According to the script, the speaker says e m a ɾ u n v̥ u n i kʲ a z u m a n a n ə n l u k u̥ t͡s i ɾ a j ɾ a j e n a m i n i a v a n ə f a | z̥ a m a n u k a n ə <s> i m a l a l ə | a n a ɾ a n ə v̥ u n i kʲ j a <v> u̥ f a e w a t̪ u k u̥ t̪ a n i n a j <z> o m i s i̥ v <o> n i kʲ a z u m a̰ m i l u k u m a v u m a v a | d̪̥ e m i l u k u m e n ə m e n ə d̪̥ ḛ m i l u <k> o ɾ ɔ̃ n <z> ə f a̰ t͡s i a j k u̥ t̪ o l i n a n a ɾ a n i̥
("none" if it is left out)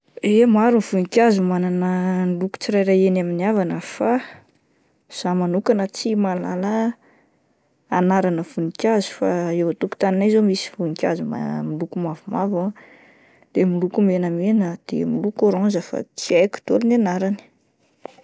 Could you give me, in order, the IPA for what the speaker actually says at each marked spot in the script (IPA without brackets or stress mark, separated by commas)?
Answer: t͡s, z, z, u, k, z